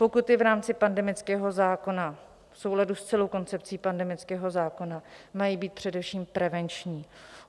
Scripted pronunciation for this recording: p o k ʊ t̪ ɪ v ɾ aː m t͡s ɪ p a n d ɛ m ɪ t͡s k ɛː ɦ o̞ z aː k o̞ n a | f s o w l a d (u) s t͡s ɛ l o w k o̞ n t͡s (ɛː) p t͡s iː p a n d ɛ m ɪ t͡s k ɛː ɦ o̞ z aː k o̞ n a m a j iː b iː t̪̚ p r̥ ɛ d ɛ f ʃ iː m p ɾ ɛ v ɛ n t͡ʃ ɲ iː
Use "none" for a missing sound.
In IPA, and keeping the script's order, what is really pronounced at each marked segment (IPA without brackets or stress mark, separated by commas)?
u, ɛ